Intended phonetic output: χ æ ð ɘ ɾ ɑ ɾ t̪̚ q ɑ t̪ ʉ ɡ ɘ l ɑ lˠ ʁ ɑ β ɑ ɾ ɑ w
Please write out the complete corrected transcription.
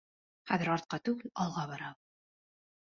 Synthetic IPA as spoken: χ æ ð ɘ ɾ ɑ ɾ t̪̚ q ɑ t̪ ʉ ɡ ɘ l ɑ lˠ ʁ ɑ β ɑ ɾ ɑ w